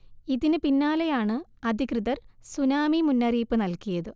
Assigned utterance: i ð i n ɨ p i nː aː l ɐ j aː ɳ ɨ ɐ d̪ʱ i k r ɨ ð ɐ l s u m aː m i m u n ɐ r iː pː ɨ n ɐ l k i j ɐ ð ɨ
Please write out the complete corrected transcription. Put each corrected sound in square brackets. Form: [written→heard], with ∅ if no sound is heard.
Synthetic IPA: i ð i n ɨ p i nː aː l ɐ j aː ɳ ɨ ɐ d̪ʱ i k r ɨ ð ɐ [l→r] s u [m→n] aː m i m u [n→nː] ɐ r iː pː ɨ n ɐ l k i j ɐ ð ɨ